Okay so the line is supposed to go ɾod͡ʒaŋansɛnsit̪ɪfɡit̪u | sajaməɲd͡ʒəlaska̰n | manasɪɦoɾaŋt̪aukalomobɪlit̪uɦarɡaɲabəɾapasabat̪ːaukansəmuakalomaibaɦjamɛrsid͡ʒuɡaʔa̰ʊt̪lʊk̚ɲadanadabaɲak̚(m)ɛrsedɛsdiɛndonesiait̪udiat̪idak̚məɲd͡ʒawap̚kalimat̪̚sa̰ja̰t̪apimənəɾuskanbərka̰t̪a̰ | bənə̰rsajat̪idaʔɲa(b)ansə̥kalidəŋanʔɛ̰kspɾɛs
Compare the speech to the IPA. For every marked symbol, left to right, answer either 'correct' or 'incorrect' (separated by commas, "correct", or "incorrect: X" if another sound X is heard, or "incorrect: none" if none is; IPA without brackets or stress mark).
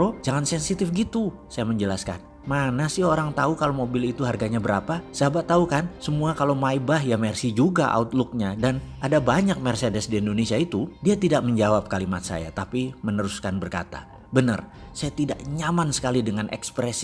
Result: correct, incorrect: m